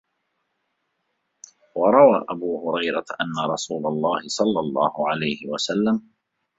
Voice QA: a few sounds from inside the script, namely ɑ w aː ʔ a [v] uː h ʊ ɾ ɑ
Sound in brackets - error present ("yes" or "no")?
yes